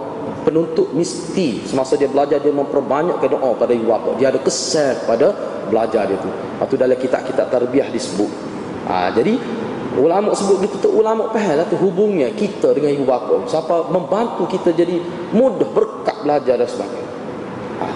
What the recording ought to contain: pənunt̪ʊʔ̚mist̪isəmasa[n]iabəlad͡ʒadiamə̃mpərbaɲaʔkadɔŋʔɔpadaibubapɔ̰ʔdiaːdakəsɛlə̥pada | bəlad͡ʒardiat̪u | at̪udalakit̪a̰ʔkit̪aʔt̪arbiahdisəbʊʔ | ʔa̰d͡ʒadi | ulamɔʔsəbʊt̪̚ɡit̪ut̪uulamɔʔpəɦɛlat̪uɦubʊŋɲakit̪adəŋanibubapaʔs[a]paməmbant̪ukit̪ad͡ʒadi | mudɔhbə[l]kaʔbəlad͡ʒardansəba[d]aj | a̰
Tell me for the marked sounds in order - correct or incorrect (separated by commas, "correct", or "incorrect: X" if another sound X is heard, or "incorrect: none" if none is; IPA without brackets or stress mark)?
incorrect: d, correct, incorrect: r, incorrect: ɡ